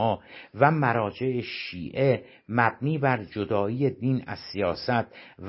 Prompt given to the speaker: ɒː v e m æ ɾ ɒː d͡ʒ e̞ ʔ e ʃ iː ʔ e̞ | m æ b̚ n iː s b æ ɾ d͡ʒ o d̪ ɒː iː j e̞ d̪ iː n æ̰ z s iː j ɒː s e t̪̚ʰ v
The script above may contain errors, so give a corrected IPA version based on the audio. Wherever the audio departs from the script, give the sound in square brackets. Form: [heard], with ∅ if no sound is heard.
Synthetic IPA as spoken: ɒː v [æ] m æ ɾ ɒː d͡ʒ e̞ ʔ e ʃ iː ʔ e̞ | m æ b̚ n iː [∅] b æ ɾ d͡ʒ o d̪ ɒː iː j e̞ d̪ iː n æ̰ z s [i] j ɒː s [æ] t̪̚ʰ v